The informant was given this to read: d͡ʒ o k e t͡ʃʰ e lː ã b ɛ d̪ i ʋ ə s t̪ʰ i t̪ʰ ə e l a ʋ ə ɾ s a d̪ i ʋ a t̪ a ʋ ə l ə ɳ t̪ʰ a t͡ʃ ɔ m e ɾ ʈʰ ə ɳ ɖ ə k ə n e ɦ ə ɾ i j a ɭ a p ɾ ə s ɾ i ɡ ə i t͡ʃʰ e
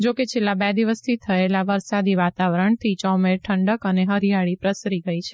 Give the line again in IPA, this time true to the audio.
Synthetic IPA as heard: d͡ʒ o k e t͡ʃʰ e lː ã b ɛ d̪ i ʋ ə s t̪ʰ i t̪ʰ ə e l a ʋ ə ɾ s a d̪ i ʋ a t̪ a ʋ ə ɾ ə ɳ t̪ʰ i t͡ʃ ɔ m e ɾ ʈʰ ə ɳ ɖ ə k ə n e ɦ ə ɾ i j a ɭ i p ɾ ə s ɾ i ɡ ə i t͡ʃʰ e